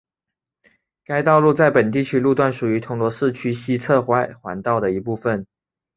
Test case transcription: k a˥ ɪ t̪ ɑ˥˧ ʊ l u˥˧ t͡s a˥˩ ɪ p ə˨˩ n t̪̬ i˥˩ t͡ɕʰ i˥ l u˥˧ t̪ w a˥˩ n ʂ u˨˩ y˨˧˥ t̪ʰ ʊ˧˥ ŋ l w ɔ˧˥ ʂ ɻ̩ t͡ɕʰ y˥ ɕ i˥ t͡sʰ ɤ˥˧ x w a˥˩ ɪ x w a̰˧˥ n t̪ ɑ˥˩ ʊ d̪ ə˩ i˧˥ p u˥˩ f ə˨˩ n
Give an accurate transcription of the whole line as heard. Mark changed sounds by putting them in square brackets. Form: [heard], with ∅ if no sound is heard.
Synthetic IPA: k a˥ ɪ t̪ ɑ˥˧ ʊ l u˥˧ t͡s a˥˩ ɪ p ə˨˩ n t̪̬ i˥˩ t͡ɕʰ [y˥] l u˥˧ t̪ w a˥˩ n ʂ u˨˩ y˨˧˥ t̪ʰ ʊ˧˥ ŋ l w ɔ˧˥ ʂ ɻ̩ t͡ɕʰ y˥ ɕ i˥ t͡sʰ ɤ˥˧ x w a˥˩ ɪ x w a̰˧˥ n t̪ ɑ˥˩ ʊ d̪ ə˩ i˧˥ p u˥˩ f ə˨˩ n